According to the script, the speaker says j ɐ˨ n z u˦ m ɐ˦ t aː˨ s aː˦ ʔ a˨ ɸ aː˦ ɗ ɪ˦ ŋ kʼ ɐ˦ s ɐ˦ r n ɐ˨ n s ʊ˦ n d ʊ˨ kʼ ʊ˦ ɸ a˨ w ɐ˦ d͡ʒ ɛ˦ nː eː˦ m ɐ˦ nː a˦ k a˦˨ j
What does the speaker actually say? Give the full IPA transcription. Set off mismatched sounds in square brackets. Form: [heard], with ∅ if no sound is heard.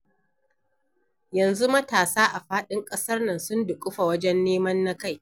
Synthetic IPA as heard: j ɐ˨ n z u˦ m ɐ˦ t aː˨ s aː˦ ʔ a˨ ɸ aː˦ ɗ ɪ˦ ŋ kʼ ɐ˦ s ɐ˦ r n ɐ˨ n s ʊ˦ n d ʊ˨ kʼ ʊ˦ ɸ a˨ w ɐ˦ d͡ʒ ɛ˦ nː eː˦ m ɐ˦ nː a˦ k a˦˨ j

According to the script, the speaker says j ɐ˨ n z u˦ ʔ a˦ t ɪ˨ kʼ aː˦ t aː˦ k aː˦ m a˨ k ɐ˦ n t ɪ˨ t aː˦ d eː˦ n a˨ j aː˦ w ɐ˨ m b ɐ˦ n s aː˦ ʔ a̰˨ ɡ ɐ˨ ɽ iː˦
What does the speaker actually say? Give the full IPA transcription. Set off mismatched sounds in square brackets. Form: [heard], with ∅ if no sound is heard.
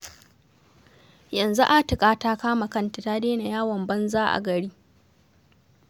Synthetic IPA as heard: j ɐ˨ n z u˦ ʔ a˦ t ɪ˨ kʼ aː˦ t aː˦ k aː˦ m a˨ k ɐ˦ n t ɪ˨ t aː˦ d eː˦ n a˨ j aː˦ w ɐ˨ m b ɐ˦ n [z] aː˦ ʔ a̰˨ ɡ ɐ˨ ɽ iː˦

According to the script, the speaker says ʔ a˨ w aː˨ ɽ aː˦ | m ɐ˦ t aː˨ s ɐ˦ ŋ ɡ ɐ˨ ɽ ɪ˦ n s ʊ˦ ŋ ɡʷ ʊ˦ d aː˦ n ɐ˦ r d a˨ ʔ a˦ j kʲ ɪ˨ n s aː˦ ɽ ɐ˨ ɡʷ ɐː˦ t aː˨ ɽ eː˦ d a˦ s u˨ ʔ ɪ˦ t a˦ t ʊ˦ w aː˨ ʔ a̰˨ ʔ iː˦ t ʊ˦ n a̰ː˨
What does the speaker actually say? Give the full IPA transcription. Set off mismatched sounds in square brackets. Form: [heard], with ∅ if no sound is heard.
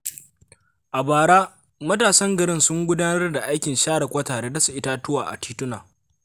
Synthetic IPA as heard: ʔ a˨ [b] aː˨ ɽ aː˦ | m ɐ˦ t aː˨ s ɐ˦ ŋ ɡ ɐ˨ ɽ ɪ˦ n s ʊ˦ ŋ ɡʷ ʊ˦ d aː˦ n ɐ˦ r d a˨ ʔ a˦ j kʲ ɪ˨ n [ʃ] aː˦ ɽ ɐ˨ [kʷ] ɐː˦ t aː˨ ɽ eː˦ d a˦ s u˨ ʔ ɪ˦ t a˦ t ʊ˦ w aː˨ ʔ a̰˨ [t] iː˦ t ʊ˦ n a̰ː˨

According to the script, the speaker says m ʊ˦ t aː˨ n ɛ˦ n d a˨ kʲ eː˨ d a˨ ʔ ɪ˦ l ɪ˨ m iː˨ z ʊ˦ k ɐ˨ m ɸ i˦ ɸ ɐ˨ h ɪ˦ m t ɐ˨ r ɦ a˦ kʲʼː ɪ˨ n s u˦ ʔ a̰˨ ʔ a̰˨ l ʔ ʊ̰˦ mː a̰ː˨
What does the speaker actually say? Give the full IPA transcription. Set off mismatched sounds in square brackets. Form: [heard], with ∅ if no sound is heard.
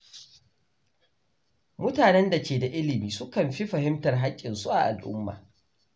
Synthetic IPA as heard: m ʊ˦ t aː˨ n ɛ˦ n d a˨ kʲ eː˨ d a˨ ʔ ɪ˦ l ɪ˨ m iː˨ [s] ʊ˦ k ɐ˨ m ɸ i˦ ɸ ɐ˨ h ɪ˦ m t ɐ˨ r ɦ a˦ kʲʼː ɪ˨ n s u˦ ʔ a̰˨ ʔ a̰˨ l ʔ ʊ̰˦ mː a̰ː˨

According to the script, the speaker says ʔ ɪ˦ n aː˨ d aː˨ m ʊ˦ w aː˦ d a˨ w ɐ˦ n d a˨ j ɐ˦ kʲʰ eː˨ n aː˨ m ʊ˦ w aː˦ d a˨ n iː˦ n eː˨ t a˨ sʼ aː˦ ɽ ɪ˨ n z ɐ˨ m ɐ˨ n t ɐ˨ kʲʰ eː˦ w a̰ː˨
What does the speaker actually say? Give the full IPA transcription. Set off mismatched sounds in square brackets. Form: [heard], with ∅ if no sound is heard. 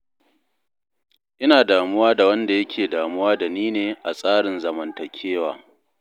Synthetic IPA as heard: ʔ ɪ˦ n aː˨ d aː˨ m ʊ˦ w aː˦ d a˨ w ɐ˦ n d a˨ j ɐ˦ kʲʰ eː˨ [d] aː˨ m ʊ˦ w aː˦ d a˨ n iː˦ n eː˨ [ʔ] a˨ sʼ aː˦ ɽ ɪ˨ n z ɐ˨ m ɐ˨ n t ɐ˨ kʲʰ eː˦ w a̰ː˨

